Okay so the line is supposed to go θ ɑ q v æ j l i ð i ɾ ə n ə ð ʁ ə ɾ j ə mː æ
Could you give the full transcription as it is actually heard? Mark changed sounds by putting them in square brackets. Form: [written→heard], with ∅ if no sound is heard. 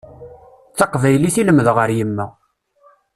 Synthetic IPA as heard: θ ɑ q v æ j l i [ð→θ] i [ɾ→l] ə [n→m] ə ð ʁ ə ɾ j ə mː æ